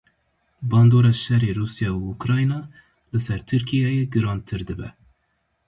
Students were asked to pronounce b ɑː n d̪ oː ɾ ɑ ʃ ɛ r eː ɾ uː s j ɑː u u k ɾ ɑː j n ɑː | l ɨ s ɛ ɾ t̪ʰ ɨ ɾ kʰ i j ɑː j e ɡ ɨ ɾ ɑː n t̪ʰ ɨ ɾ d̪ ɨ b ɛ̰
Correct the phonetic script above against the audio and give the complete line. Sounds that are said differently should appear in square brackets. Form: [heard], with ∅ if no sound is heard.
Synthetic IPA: b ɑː n d̪ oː ɾ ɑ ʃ ɛ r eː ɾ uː s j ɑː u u k ɾ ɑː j n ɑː | l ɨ s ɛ ɾ t̪ʰ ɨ ɾ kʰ i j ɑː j e ɡ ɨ ɾ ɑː n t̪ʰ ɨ ɾ d̪ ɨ b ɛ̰